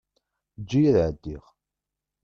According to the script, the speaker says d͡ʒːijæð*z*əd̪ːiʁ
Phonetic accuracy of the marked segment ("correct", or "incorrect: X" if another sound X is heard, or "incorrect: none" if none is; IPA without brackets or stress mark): incorrect: ʕ